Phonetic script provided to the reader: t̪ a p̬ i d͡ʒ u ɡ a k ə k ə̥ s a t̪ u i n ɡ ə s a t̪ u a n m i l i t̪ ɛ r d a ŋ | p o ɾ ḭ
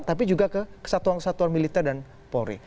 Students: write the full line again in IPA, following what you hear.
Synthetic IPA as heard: t̪ a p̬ i d͡ʒ u ɡ a k ə k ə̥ s a t̪ u a n k ə s a t̪ u a n m i l i t̪ ɛ r d a n | p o ɾ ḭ